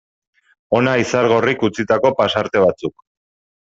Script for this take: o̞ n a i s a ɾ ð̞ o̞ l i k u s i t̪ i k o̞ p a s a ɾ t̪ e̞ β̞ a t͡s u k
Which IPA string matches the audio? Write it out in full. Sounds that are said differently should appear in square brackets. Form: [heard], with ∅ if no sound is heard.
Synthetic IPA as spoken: o̞ n a i s a ɾ [ɣ̞] o̞ [r] i k u [t͡s] i t̪ [a] k o̞ p a s a ɾ t̪ e̞ β̞ a t͡s u k